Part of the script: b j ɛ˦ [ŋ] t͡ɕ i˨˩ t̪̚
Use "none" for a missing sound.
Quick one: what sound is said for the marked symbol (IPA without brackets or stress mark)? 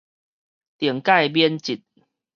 n